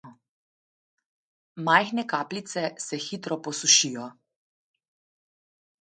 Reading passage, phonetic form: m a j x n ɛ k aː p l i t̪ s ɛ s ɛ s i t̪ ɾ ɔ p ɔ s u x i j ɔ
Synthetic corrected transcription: m a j x n ɛ k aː p l i t̪ s ɛ s ɛ x i t̪ ɾ ɔ p ɔ s u ʃ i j ɔ